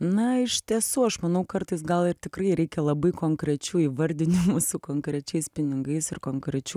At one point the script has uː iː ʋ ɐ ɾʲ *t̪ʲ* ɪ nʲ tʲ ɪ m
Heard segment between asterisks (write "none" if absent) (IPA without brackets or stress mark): d̪ʲ